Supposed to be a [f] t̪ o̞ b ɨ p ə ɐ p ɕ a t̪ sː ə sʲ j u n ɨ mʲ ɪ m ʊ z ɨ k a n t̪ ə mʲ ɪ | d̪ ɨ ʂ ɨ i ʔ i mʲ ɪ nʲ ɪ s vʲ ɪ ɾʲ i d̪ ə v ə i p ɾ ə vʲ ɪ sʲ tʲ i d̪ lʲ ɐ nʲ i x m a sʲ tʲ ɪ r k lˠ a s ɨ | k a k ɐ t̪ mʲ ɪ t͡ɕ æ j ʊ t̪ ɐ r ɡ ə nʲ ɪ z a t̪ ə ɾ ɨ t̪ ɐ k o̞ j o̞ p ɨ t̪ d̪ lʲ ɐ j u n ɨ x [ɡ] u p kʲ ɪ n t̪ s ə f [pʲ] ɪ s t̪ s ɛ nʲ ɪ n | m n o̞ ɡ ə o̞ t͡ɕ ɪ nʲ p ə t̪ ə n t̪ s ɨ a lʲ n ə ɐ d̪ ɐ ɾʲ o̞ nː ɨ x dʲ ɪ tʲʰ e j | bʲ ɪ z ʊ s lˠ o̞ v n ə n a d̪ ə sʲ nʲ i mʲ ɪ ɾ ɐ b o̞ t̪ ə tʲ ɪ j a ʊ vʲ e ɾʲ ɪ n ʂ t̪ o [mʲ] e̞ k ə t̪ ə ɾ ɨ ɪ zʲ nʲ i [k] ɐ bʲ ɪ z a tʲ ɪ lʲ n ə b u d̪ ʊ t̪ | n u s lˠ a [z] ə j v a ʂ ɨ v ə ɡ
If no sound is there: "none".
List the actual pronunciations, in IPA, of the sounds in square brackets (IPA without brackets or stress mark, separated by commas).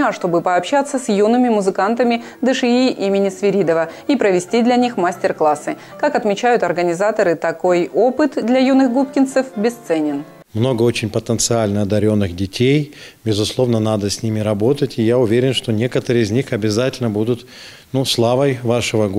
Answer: ʂ, ɡ, bʲ, nʲ, x, v